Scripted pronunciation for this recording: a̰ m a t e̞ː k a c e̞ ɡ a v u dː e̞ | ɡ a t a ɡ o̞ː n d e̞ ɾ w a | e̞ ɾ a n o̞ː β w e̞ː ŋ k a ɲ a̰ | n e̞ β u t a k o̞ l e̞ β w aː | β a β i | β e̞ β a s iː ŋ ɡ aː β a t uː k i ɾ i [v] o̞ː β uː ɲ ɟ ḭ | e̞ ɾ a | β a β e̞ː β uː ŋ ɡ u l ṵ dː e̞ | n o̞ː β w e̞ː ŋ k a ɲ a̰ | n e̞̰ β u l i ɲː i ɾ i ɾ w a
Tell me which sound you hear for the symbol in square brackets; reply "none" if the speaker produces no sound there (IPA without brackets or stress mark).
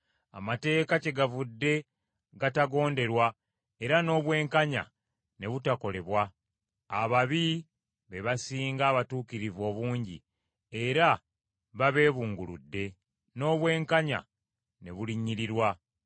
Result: v